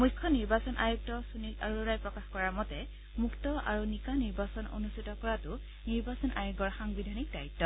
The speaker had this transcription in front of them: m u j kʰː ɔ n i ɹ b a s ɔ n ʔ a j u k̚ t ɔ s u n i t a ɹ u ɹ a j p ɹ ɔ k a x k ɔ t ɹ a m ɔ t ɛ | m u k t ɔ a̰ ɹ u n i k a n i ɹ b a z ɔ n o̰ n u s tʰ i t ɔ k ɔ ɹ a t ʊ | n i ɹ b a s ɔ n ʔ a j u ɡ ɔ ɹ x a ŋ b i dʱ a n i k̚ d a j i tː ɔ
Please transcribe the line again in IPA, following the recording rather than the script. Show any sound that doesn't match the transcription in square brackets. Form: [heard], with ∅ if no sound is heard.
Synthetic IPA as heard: m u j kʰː ɔ n i ɹ b a s ɔ n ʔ a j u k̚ t ɔ s u n i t a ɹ u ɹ a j p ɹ ɔ k a x k ɔ [∅] ɹ a m ɔ t ɛ | m u k t ɔ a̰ ɹ u n i k a n i ɹ b a [s] ɔ n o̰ n u s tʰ i t ɔ k ɔ ɹ a t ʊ | n i ɹ b a s ɔ n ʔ a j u ɡ ɔ ɹ x a ŋ b i dʱ a n i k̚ d a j i tː ɔ